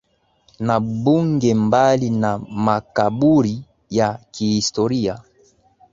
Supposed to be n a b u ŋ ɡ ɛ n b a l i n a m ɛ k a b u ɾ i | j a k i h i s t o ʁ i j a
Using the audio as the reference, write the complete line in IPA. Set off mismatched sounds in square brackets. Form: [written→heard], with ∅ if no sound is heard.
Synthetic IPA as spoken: n a b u ŋ ɡ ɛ [n→m] b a l i n a m [ɛ→a] k a b u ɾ i | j a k i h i s t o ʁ i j a